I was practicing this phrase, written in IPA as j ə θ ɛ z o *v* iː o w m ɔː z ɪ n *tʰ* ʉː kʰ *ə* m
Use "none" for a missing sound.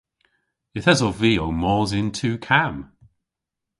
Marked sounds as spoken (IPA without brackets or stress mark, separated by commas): v, tʰ, a